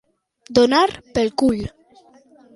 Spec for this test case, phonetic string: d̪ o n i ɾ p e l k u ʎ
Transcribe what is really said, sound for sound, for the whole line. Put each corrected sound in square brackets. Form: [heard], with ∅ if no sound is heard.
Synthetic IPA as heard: d̪ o n [a] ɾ p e l k u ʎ